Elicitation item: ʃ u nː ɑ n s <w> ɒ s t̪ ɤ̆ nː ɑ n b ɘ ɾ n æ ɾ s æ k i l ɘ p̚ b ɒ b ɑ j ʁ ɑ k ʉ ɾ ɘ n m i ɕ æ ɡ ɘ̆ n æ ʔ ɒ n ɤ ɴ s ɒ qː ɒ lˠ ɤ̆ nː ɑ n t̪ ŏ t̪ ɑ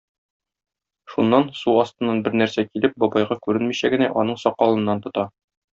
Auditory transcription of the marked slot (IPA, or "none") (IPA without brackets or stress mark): u